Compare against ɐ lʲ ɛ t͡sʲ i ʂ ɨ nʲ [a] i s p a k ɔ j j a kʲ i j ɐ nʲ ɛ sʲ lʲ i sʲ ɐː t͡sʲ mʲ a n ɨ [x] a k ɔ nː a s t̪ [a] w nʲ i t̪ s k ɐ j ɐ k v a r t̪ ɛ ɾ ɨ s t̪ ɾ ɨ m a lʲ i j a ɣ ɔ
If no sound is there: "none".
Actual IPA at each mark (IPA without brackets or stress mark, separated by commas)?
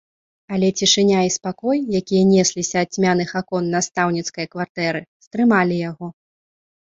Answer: a, x, a